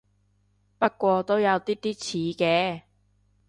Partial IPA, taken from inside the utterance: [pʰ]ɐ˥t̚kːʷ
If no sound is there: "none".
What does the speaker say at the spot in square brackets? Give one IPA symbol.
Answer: p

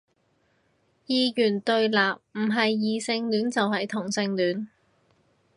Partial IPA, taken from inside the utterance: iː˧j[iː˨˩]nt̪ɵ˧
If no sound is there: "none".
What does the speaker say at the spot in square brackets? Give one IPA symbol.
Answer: yː˨˩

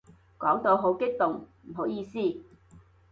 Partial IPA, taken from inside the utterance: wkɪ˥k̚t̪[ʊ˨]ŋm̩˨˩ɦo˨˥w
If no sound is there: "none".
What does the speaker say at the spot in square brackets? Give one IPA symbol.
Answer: ʊ˨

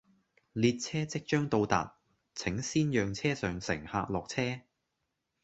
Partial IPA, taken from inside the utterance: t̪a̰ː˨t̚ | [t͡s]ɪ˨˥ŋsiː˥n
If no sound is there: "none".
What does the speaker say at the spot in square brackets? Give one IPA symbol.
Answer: t͡sʰ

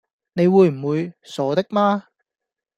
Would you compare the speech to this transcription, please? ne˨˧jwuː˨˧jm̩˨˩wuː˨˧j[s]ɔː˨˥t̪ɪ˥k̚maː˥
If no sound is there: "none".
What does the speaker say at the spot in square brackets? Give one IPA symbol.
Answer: s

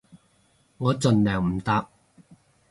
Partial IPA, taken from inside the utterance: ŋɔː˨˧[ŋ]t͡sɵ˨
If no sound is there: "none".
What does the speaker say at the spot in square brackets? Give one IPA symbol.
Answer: none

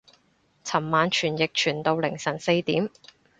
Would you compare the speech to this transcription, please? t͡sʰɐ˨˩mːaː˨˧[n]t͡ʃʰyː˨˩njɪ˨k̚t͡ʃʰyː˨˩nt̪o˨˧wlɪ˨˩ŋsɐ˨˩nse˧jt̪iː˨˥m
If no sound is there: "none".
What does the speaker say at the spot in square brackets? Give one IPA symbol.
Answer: n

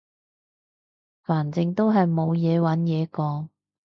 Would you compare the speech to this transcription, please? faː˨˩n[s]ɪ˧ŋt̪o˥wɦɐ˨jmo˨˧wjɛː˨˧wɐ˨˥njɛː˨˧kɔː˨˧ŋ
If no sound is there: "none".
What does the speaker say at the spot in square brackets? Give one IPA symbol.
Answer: t͡s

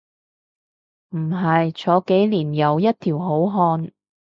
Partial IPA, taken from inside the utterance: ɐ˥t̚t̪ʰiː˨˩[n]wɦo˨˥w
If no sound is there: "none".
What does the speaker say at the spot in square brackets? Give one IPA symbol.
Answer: none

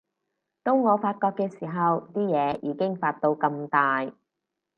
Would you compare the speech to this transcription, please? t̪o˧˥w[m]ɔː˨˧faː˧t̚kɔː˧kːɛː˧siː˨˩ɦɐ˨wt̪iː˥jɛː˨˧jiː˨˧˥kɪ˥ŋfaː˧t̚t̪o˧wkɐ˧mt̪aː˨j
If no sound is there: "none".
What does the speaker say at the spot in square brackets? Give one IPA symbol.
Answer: ŋ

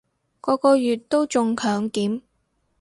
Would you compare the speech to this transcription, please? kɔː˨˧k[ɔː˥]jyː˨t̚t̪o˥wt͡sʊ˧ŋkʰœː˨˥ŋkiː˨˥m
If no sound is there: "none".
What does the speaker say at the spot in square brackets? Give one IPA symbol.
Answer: ɔː˧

